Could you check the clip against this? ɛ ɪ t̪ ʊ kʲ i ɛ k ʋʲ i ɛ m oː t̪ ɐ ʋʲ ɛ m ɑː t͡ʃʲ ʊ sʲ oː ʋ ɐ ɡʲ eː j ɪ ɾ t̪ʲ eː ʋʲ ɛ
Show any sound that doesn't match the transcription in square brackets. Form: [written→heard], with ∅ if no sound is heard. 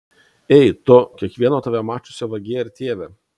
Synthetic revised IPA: ɛ ɪ t̪ ʊ kʲ i ɛ k ʋʲ i ɛ [m→n] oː t̪ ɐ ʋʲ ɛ m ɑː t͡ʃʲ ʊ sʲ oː ʋ ɐ ɡʲ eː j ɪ ɾ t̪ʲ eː ʋʲ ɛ